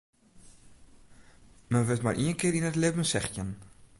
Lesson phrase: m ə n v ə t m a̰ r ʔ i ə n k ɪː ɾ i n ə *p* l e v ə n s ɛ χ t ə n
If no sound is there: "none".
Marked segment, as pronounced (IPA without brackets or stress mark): t